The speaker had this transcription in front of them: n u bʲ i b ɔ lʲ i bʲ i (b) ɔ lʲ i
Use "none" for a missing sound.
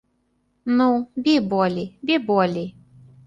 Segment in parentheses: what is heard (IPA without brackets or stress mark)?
b